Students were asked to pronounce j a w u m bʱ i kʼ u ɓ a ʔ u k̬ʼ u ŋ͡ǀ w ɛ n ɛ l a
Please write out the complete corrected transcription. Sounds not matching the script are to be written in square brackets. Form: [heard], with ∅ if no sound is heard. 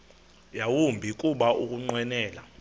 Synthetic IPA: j a w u m bʱ i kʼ u ɓ a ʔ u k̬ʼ u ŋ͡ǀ w ɛ n [ɛː] l a